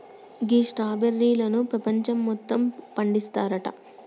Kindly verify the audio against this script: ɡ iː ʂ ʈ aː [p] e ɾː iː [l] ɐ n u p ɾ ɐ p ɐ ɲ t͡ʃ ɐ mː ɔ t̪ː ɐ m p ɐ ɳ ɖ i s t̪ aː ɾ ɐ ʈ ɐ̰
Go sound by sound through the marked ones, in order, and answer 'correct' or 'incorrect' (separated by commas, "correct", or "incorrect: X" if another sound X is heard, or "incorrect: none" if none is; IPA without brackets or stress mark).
incorrect: b, correct